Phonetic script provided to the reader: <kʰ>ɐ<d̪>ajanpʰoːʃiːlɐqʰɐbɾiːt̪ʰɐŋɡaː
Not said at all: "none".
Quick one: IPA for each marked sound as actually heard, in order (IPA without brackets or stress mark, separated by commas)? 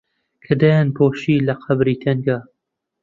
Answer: kʰ, d̪